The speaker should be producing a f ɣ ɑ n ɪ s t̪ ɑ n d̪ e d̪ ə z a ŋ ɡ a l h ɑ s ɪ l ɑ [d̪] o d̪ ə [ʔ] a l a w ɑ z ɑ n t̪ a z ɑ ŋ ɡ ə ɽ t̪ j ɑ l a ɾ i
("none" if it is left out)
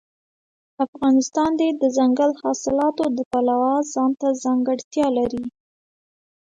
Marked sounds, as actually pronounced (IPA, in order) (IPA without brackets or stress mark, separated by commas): t̪, p